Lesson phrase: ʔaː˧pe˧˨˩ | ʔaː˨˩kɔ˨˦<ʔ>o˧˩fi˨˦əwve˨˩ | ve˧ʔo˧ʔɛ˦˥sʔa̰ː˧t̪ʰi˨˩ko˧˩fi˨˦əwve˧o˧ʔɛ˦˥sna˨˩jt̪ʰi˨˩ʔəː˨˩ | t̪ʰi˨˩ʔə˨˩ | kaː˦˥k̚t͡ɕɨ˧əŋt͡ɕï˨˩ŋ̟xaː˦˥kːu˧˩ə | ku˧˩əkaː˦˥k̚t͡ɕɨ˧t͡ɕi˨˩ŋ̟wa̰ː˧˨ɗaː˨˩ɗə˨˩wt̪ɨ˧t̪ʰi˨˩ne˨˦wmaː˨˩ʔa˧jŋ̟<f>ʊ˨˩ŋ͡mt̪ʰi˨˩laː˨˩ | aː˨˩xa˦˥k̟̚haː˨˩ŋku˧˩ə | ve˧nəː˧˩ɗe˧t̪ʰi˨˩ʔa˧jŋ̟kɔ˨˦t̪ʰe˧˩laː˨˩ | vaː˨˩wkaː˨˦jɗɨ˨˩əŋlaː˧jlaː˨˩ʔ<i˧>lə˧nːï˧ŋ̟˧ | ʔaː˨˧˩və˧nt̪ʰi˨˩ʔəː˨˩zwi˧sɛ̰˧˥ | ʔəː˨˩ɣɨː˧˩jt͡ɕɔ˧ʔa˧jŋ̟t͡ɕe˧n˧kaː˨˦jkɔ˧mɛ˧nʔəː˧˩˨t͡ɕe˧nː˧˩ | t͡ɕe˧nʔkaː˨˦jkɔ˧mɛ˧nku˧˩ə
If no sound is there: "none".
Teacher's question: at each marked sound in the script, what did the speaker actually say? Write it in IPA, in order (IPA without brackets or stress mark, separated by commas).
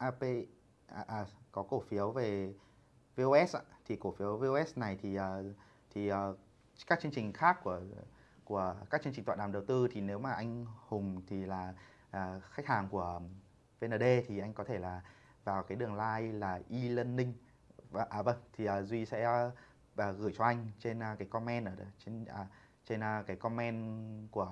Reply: k, h, i˧